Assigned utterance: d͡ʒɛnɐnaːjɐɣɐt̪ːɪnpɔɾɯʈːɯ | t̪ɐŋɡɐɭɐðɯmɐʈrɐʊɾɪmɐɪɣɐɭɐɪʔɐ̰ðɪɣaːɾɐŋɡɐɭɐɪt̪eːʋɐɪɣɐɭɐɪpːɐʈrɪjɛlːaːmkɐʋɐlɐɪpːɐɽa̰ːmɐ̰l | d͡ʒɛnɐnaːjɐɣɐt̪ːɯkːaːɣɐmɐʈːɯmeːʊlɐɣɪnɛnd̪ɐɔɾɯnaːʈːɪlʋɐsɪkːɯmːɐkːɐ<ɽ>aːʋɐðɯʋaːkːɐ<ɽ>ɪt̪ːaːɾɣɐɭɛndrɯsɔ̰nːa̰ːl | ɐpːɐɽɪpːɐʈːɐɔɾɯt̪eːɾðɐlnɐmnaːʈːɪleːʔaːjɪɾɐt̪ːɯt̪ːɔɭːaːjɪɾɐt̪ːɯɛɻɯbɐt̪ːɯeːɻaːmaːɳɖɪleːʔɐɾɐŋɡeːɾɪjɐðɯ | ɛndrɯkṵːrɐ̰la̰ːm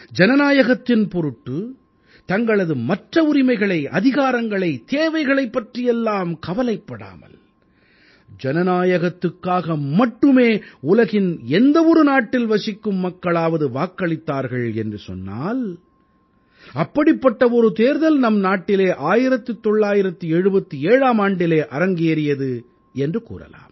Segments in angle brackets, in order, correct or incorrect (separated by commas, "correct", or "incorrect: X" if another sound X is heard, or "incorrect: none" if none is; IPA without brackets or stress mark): incorrect: ɭ, incorrect: ɭ